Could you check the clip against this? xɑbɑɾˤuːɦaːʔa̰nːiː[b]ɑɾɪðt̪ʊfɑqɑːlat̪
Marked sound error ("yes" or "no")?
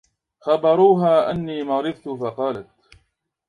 yes